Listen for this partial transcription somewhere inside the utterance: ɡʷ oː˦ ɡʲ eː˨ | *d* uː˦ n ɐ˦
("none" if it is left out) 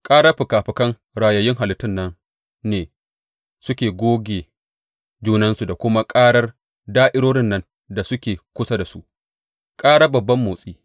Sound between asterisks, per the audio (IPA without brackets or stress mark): d͡ʒ